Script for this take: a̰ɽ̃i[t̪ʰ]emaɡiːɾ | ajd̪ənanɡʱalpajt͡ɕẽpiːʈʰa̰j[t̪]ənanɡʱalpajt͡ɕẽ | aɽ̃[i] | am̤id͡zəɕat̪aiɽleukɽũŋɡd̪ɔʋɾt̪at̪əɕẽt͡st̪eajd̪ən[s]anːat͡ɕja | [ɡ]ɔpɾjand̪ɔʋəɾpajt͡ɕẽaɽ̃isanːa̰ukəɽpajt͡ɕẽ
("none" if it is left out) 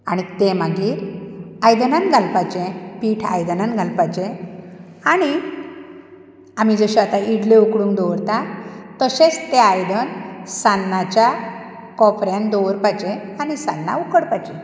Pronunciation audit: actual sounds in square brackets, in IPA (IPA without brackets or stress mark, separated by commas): t̪, d̪, i, s, k